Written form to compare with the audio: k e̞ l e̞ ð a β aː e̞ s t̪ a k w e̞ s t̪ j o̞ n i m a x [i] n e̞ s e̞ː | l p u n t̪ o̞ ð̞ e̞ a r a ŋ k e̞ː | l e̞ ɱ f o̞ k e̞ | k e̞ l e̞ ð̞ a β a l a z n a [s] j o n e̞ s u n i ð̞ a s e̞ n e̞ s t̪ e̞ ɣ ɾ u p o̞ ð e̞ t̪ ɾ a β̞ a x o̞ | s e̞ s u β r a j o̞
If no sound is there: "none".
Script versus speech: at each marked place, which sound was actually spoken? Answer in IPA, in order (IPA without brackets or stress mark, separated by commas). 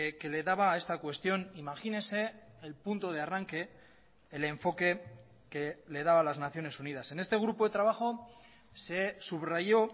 i, θ